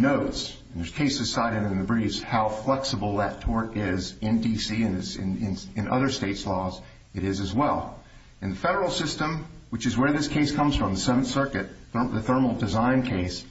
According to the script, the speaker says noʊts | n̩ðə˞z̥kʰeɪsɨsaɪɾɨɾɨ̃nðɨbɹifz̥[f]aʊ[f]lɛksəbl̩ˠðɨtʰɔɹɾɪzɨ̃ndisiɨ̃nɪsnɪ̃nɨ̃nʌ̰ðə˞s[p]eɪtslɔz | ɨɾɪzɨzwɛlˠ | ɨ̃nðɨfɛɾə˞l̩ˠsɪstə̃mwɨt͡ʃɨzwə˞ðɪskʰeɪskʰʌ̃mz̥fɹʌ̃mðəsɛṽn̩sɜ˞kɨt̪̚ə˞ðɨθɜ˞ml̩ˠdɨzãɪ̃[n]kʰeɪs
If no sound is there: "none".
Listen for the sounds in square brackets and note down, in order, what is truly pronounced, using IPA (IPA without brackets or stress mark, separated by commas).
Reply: h, f, t, n